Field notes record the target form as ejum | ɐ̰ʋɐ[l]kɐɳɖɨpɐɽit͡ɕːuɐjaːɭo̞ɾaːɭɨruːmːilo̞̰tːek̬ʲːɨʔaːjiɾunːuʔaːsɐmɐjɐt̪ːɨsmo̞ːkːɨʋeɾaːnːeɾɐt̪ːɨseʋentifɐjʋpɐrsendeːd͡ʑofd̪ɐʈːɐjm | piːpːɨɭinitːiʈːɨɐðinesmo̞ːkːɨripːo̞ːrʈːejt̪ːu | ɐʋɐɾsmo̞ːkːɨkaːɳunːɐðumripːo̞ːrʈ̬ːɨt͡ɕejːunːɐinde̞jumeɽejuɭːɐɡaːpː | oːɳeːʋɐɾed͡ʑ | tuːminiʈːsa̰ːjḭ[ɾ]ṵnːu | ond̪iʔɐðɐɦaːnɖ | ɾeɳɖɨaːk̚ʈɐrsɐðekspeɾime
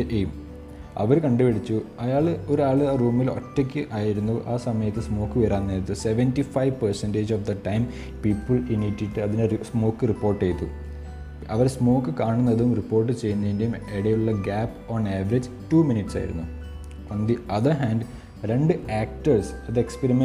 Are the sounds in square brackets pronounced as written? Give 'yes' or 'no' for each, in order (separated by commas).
no, yes